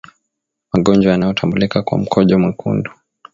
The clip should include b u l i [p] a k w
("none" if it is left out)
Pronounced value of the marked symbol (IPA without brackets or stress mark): k